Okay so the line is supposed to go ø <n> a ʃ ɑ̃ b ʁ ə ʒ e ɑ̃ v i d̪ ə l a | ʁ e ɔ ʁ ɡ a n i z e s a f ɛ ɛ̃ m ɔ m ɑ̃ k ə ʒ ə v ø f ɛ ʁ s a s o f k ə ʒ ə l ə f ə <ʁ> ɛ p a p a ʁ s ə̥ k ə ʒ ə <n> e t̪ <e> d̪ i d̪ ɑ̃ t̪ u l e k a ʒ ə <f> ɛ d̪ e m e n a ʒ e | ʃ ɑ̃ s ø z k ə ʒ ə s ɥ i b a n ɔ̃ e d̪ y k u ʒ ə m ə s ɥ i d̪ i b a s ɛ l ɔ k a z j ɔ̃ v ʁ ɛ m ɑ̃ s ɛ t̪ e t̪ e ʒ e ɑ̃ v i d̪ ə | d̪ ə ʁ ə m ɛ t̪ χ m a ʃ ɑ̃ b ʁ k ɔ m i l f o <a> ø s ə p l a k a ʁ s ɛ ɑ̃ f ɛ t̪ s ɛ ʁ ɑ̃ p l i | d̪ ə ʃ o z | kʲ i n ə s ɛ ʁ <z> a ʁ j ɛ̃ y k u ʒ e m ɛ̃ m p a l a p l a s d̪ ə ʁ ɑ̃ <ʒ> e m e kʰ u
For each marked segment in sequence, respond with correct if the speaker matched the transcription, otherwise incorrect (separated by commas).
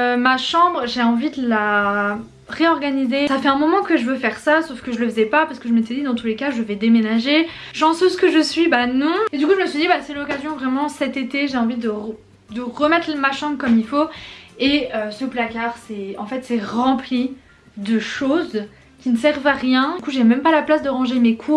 incorrect, incorrect, incorrect, incorrect, incorrect, incorrect, incorrect, correct